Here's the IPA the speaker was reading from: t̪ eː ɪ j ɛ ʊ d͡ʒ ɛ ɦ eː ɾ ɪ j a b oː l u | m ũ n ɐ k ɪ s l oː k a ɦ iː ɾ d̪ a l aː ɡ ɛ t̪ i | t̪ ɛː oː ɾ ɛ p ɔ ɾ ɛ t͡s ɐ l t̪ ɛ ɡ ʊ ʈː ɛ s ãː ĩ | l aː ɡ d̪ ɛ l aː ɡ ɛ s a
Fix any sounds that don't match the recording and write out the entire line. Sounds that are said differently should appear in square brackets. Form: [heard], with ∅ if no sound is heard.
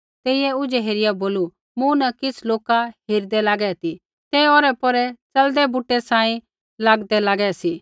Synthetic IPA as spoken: t̪ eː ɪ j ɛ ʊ d͡ʒ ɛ ɦ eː ɾ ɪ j a b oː l u | m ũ n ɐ k ɪ s l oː k a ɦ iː ɾ d̪ [ɛ] l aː ɡ ɛ t̪ i | t̪ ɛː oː ɾ ɛ p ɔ ɾ ɛ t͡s ɐ l [d̪] ɛ [b] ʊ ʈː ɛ s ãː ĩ | l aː ɡ d̪ ɛ l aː ɡ ɛ s [i]